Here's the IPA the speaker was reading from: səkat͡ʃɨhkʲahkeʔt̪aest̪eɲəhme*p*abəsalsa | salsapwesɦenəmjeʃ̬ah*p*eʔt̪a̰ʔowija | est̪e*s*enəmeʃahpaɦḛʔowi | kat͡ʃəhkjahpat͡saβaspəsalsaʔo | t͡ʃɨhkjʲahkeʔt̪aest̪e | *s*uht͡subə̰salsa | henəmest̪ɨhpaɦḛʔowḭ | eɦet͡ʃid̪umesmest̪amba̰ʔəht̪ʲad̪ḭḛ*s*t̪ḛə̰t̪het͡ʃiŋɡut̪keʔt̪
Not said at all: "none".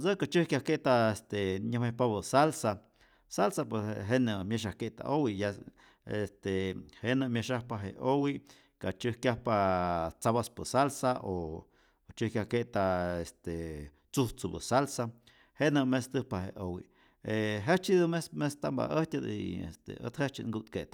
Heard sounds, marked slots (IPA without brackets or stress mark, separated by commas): p, k, h, t͡s, s